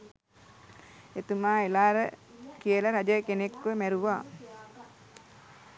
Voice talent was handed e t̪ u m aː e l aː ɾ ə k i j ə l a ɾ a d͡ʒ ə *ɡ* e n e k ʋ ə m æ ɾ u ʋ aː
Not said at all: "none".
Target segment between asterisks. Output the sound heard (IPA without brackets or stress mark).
k